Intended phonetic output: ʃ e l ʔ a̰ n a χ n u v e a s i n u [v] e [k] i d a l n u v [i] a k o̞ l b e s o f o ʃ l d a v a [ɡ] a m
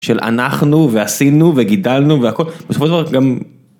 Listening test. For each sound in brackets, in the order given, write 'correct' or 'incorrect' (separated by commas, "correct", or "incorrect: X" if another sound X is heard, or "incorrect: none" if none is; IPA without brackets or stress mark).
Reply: correct, incorrect: ɡ, incorrect: e, correct